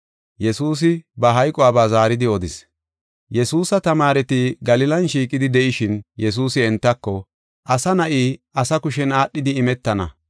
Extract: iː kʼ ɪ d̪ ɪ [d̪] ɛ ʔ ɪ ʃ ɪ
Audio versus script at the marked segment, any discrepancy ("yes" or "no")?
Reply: no